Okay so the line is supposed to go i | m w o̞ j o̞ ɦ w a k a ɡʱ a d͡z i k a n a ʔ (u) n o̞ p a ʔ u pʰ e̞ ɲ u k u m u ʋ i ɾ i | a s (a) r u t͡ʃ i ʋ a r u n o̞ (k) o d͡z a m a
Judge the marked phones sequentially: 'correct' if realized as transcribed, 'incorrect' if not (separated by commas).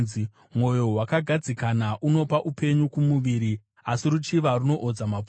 correct, incorrect, incorrect